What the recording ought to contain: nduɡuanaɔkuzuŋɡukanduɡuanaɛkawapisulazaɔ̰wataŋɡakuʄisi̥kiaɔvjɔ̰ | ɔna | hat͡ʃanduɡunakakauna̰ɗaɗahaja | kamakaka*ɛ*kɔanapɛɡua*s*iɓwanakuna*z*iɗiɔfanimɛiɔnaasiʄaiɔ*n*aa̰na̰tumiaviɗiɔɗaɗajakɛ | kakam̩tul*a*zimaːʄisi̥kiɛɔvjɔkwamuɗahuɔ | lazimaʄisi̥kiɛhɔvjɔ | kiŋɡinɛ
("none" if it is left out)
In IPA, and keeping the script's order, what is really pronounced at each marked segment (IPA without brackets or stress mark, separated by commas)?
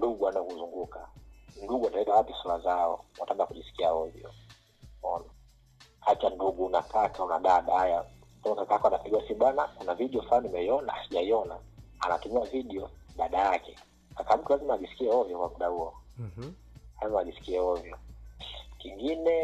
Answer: a, s, v, n, a